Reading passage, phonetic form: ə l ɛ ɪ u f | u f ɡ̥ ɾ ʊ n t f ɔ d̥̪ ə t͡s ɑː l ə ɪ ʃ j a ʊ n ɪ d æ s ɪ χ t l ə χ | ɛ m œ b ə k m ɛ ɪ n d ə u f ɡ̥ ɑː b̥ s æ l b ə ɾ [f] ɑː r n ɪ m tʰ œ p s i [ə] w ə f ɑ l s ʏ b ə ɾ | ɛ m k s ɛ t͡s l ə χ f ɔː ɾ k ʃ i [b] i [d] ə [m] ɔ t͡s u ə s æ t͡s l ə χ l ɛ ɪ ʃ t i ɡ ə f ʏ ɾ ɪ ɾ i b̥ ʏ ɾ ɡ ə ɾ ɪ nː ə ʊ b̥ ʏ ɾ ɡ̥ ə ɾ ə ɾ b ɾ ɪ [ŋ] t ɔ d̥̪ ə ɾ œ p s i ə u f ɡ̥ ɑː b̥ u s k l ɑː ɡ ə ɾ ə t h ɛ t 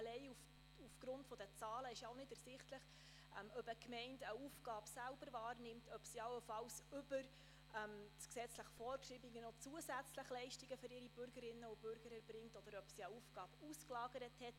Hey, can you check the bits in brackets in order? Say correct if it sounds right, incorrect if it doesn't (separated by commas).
incorrect, incorrect, correct, incorrect, incorrect, correct